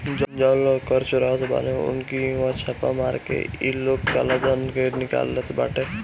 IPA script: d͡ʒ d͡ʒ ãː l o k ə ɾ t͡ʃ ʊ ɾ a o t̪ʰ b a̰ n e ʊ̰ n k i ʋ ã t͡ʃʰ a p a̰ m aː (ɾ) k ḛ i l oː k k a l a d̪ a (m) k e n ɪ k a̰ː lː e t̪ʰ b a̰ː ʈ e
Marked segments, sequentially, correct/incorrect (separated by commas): correct, incorrect